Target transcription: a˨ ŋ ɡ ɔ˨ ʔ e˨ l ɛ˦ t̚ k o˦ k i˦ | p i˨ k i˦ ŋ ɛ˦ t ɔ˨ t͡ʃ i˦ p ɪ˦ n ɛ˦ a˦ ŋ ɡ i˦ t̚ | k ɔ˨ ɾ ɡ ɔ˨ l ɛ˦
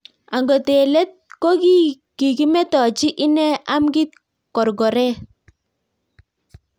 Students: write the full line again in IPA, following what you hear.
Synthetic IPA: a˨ ŋ ɡ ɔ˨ t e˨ l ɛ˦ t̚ k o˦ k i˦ | k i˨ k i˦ m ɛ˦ t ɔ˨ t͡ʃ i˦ ʔ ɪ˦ n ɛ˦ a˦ m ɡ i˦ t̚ | k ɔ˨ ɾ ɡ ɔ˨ ɾ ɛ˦